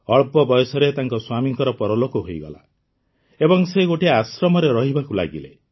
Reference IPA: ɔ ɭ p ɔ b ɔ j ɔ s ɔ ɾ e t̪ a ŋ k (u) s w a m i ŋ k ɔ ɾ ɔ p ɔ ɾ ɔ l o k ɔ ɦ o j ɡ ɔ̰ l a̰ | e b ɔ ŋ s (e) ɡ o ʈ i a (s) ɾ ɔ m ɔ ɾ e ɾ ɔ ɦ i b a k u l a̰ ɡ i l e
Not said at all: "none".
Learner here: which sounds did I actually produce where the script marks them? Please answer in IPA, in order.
ɔ, e, s

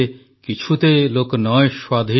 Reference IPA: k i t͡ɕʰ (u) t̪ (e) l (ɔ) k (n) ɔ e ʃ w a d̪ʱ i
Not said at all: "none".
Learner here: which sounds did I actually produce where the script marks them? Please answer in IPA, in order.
u, e, o, n

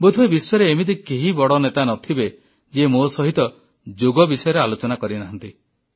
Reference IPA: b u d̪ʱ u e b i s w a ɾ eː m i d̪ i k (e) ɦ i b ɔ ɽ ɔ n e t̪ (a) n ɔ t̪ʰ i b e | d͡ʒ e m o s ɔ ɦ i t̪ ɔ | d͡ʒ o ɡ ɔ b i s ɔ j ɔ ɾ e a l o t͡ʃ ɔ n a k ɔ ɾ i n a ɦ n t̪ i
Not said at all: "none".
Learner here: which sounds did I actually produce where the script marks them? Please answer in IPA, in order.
e, a

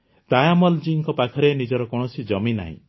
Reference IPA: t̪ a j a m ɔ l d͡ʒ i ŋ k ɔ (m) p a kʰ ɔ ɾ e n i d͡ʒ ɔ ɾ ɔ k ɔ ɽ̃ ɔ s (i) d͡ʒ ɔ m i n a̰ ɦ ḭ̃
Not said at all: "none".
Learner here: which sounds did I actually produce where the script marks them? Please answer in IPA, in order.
none, i

